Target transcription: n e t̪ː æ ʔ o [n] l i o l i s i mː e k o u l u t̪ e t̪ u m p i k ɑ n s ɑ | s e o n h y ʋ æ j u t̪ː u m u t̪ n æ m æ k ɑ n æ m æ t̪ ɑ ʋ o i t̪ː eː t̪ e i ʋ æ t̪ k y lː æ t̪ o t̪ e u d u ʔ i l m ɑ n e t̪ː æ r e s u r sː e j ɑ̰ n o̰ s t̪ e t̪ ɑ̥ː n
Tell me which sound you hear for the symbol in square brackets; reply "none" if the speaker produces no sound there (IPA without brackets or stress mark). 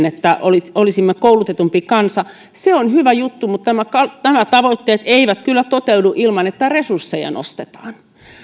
none